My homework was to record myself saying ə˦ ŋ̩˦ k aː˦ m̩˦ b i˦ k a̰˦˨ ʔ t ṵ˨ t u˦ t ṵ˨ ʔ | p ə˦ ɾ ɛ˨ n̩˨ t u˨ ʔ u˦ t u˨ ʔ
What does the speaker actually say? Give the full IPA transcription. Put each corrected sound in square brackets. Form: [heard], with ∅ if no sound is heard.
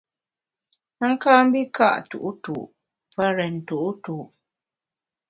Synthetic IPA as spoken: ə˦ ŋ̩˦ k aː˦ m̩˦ b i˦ k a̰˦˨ ʔ t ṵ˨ [ʔ] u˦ t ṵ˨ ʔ | p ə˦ ɾ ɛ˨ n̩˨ t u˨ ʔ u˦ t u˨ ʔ